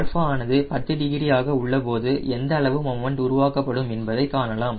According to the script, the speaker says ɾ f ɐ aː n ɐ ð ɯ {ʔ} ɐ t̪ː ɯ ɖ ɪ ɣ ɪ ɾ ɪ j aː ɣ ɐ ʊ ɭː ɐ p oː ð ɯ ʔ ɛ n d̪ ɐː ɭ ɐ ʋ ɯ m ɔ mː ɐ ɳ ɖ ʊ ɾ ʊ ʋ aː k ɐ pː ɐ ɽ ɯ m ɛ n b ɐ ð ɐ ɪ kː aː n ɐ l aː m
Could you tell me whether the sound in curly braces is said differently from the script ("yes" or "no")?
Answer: yes